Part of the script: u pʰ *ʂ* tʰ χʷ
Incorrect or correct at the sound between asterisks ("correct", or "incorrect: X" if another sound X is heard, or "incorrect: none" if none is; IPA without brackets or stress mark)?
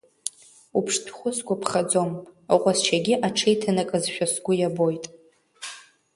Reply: correct